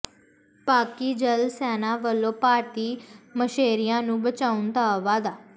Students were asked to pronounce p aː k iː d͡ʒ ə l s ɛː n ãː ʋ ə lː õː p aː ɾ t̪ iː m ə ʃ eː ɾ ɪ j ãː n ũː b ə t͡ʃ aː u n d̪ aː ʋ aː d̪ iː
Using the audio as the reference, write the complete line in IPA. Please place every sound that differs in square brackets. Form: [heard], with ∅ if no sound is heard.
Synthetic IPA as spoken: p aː k iː d͡ʒ ə l s ɛː n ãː ʋ ə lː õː p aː ɾ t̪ iː m ə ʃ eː ɾ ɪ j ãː n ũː b ə t͡ʃ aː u n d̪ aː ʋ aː d̪ [aː]